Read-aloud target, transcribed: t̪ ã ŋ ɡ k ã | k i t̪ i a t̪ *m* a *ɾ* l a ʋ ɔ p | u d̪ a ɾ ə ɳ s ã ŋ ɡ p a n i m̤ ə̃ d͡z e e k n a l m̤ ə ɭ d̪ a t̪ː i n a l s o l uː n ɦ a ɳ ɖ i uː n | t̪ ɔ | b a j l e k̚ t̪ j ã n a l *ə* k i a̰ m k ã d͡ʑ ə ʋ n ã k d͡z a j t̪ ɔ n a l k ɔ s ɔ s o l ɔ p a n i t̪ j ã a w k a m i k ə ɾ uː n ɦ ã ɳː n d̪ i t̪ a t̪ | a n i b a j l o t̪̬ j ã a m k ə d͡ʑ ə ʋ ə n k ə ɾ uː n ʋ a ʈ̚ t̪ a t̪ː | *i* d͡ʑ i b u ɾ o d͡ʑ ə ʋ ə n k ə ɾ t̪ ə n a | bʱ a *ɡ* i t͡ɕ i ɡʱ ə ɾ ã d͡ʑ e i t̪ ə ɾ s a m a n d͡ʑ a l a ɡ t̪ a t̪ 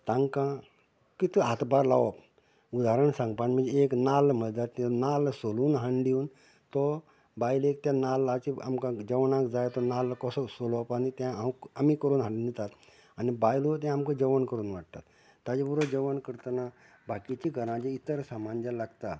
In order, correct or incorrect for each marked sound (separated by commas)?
incorrect, correct, incorrect, incorrect, incorrect